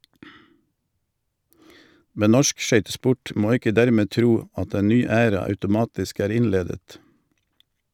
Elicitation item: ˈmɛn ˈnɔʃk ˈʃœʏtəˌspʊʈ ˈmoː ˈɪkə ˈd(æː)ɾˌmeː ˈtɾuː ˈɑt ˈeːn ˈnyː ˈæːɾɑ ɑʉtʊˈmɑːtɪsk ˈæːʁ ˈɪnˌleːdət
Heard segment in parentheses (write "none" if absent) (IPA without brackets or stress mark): æ